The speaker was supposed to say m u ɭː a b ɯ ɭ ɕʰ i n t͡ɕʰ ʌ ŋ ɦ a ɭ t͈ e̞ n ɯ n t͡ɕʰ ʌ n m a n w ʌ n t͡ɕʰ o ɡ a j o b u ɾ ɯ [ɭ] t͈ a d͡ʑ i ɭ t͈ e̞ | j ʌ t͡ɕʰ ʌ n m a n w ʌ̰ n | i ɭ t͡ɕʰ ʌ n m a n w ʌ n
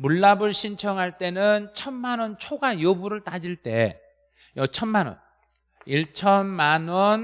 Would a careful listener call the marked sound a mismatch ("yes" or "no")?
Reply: no